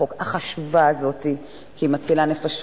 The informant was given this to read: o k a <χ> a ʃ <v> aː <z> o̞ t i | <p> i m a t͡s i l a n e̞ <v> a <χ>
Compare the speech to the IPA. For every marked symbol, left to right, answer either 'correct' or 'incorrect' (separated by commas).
correct, correct, correct, incorrect, incorrect, incorrect